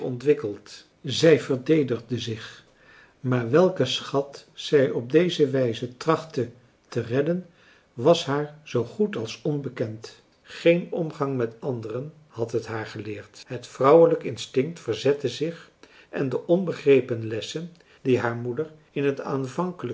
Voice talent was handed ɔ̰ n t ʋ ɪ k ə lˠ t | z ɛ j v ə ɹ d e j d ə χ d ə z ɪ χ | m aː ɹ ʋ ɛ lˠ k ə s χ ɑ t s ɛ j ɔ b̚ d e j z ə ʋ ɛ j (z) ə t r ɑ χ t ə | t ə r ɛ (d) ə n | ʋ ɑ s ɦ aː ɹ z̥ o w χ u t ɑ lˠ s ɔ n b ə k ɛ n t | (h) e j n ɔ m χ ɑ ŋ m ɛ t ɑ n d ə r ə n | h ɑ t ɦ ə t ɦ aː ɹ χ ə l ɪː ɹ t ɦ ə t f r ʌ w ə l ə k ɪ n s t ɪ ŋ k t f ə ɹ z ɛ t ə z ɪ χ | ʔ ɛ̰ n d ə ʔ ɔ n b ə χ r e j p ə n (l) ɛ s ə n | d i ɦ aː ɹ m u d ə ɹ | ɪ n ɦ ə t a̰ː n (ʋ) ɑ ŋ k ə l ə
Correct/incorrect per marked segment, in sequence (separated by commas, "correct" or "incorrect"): correct, correct, incorrect, correct, incorrect